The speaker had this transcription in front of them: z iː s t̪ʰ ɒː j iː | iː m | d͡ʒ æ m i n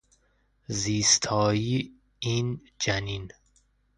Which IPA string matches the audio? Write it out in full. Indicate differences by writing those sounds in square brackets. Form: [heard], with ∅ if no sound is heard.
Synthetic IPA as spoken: z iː s t̪ʰ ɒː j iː | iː [n] | d͡ʒ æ [n] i n